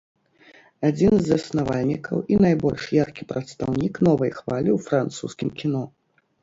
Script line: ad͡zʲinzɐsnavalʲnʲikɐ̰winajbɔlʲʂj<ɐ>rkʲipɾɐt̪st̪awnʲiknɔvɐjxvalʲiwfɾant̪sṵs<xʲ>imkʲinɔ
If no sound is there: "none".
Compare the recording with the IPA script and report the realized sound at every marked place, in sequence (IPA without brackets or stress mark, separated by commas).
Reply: a, kʲ